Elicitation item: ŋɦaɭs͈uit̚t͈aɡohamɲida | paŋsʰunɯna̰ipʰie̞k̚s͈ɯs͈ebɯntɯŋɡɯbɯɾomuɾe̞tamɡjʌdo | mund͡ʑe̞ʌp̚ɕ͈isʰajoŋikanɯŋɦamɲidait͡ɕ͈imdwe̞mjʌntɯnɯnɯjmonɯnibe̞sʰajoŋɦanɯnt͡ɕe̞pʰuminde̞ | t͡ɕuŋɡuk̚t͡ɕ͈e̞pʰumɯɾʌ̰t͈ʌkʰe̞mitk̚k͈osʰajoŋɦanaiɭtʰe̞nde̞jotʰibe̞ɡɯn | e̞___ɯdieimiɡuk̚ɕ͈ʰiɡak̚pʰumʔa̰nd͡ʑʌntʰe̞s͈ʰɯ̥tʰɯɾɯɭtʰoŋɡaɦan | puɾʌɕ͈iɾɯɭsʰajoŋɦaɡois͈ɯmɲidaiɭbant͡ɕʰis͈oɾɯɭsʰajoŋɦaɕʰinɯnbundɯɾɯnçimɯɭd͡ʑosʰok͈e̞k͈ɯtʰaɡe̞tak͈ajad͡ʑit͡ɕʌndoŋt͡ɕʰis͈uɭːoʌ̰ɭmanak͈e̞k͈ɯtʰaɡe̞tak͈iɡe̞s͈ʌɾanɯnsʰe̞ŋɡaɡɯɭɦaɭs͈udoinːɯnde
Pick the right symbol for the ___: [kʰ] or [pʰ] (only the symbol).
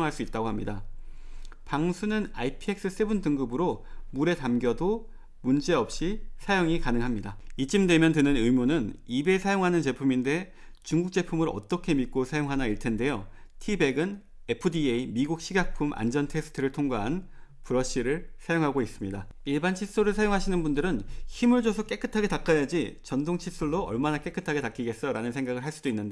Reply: pʰ